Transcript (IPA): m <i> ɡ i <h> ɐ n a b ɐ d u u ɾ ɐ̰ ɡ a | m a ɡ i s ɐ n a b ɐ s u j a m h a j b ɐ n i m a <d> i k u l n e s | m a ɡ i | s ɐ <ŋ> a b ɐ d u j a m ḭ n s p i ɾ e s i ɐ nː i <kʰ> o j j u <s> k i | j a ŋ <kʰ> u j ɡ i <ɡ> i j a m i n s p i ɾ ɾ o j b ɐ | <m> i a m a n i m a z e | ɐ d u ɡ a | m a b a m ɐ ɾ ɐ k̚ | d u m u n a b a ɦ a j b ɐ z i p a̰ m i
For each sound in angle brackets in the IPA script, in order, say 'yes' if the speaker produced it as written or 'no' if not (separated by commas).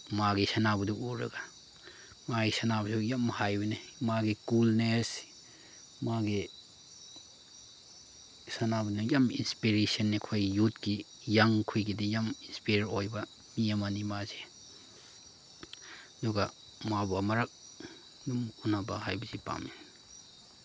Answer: no, no, no, no, yes, no, yes, no, yes